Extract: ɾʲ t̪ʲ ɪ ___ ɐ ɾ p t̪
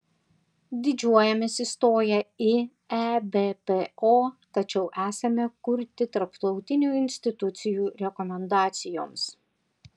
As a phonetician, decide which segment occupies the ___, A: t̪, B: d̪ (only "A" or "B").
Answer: A